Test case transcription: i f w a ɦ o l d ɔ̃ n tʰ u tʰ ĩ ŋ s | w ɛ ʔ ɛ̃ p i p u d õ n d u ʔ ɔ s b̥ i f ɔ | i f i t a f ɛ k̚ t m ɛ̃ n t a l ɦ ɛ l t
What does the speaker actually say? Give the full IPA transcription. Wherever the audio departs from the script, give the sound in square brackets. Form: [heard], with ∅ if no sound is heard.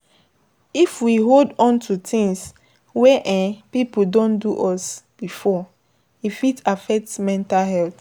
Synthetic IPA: i f w [i] ɦ o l d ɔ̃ n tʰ u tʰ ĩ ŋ s | w ɛ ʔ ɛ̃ p i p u d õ n d u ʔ ɔ s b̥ i f ɔ | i f i t a f ɛ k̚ t m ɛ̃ n t a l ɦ ɛ l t